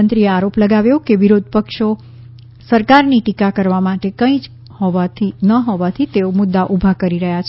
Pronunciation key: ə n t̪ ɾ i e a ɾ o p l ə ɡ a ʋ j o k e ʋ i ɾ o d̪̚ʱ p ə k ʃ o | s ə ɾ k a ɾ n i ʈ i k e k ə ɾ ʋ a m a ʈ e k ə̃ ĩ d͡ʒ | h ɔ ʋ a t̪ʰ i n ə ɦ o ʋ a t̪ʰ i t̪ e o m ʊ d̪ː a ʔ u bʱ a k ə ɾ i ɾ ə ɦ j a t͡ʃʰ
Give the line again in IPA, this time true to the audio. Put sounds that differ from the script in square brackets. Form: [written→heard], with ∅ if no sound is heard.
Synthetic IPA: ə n t̪ ɾ i e a ɾ o p l ə ɡ a ʋ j o k e ʋ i ɾ o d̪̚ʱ p ə k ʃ o | s ə ɾ k a ɾ n i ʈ i k [e→a] k ə ɾ ʋ a m a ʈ e k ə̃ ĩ d͡ʒ | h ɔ ʋ a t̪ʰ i n ə ɦ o ʋ a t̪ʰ i t̪ e o m ʊ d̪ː a ʔ u bʱ a k ə ɾ i ɾ ə ɦ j a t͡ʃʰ